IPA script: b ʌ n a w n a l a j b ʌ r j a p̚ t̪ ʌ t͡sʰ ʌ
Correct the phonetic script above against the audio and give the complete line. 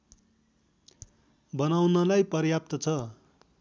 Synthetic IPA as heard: b ʌ n a w n ʌ l a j p ʌ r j a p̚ t̪ ʌ t͡sʰ ʌ